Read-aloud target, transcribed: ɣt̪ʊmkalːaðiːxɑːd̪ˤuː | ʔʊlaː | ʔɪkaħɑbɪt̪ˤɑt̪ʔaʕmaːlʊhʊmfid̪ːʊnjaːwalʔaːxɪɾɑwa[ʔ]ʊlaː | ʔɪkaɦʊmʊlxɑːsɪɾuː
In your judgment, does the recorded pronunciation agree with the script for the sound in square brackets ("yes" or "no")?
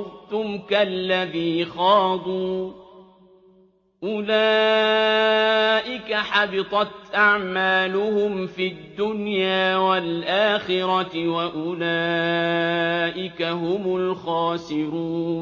yes